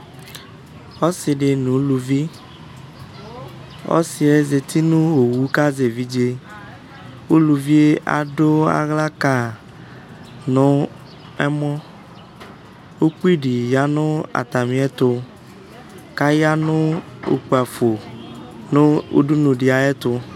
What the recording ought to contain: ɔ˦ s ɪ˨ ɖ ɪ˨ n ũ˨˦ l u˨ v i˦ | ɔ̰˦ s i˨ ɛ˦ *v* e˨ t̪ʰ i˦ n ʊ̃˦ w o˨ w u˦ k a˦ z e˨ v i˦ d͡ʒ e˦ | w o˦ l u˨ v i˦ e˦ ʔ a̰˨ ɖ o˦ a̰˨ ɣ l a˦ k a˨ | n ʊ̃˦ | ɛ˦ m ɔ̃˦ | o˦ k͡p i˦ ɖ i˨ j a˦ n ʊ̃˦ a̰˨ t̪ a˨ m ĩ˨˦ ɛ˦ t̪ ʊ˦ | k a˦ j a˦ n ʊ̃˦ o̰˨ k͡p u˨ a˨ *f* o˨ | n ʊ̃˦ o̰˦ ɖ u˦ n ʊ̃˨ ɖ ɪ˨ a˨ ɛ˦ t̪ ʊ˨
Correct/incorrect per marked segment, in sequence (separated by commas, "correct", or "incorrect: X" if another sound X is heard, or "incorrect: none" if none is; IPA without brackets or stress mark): incorrect: z, correct